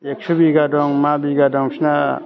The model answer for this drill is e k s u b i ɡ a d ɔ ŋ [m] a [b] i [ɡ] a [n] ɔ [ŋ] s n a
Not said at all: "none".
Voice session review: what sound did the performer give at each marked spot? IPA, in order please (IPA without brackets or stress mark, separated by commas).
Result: m, b, ɡ, d, ŋ